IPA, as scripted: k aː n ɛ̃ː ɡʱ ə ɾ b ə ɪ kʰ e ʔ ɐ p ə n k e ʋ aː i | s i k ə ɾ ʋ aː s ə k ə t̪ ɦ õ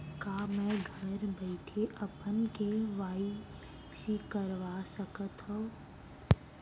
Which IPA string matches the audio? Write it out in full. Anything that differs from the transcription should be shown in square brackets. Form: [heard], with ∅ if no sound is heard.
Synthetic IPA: k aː [m] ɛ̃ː ɡʱ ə ɾ b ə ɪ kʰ e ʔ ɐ p ə n k e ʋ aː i | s i k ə ɾ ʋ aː s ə k ə t̪ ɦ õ